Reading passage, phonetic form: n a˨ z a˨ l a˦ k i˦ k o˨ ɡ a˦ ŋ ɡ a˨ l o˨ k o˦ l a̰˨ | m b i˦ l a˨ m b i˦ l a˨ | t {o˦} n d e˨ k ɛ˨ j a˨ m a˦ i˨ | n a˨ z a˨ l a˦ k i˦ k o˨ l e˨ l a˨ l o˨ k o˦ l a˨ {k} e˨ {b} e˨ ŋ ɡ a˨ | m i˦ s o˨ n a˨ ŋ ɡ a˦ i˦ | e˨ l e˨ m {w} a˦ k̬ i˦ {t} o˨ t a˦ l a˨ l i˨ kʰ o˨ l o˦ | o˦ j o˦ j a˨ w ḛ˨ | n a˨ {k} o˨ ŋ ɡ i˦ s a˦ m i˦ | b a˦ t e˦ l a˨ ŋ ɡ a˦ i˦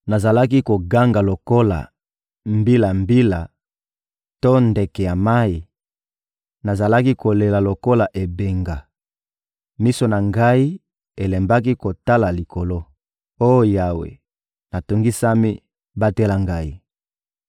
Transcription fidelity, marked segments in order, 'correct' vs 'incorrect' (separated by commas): correct, incorrect, correct, incorrect, incorrect, incorrect